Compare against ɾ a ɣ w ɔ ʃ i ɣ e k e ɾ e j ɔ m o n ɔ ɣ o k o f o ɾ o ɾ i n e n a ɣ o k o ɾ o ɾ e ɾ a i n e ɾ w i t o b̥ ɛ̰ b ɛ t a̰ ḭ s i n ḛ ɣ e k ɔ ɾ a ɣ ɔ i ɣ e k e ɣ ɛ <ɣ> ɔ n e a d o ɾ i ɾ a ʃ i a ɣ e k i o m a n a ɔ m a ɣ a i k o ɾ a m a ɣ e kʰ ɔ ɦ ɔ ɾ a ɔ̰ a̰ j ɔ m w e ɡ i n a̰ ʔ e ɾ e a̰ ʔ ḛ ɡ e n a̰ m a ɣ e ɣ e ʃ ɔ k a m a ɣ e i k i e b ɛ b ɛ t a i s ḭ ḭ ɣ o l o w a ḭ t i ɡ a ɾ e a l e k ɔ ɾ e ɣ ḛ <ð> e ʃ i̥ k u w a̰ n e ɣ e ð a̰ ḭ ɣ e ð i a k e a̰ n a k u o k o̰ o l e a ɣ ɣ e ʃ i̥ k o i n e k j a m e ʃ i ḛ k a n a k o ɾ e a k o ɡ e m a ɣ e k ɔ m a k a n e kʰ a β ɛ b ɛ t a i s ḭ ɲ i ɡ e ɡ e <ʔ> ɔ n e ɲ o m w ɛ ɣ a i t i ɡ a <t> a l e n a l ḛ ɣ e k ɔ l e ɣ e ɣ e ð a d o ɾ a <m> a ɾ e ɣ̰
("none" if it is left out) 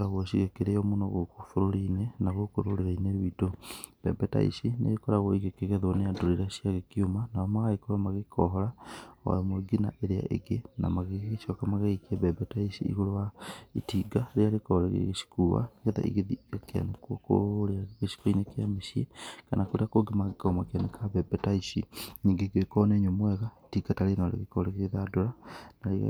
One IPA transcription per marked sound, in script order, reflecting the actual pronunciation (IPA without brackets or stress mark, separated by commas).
ð, ɣ, k, t, n